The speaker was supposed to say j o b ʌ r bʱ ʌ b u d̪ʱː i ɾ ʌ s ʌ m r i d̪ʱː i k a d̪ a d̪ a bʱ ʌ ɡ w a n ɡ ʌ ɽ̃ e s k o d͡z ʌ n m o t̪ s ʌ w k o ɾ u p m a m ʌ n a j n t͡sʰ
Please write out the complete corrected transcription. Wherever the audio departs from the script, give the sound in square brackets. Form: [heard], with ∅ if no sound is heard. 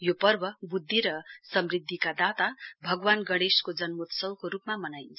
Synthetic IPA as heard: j o [p] ʌ r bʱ ʌ b u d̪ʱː i ɾ ʌ s ʌ m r i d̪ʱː i k a d̪ a [t̪] a bʱ ʌ ɡ w a n ɡ ʌ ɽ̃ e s k o d͡z ʌ n m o t̪ s ʌ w k o ɾ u p m a m ʌ n a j n t͡sʰ